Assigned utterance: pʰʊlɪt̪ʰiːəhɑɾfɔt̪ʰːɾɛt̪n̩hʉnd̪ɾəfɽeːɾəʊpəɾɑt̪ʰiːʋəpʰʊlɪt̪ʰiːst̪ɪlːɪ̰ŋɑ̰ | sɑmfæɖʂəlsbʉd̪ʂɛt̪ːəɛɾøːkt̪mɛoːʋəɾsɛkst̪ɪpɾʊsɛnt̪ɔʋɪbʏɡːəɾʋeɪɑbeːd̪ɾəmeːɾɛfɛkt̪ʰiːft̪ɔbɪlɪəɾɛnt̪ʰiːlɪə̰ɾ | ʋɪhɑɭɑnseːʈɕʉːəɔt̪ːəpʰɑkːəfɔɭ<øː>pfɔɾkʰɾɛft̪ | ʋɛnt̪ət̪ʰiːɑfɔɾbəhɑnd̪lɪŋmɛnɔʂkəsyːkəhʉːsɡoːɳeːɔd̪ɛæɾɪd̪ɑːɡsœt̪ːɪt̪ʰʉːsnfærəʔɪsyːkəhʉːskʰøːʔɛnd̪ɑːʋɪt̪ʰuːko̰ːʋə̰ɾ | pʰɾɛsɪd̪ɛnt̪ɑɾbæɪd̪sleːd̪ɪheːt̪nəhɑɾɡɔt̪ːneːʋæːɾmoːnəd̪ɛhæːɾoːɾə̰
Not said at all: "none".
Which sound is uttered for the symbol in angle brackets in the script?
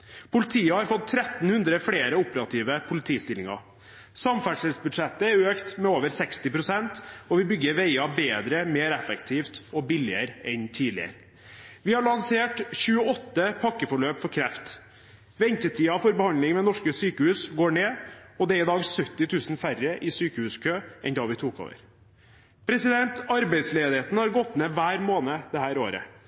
øː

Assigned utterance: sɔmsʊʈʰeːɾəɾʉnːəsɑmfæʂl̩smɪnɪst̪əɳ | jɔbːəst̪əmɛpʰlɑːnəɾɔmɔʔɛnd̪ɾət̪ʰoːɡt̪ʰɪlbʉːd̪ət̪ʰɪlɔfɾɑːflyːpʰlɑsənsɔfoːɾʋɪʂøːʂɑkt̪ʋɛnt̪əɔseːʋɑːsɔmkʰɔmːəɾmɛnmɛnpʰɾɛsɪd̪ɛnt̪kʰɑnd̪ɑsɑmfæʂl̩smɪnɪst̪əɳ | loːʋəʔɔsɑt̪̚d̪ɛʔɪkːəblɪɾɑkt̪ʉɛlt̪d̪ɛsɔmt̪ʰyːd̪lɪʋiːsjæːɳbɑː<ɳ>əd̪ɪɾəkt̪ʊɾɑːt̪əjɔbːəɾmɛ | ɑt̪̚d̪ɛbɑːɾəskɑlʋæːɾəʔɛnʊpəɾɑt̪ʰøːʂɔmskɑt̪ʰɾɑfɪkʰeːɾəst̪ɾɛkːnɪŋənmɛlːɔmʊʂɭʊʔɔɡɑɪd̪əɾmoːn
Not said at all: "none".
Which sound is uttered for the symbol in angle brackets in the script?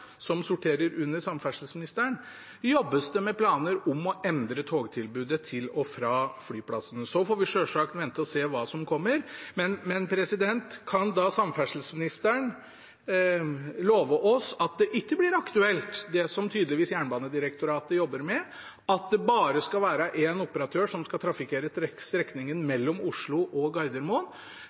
n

